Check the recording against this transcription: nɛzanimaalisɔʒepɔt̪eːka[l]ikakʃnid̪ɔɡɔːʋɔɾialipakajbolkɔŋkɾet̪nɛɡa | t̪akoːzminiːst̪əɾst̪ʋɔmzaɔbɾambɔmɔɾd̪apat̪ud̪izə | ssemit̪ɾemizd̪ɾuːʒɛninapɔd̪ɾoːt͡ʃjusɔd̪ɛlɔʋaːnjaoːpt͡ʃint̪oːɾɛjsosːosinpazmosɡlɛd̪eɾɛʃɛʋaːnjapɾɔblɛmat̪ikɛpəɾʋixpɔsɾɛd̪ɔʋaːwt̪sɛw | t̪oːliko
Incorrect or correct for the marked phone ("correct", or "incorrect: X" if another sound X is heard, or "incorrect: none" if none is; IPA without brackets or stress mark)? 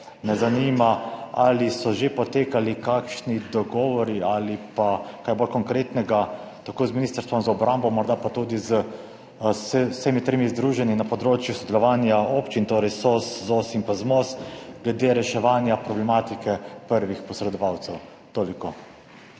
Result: correct